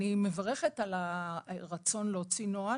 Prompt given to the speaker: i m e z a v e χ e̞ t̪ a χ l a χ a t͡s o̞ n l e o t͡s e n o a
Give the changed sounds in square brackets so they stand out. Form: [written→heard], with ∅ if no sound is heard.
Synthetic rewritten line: i m e [z→v] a [v→ʁ] e χ e̞ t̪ a [χ→∅] l a [χ→ʁ] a t͡s o̞ n l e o t͡s [e→i] n o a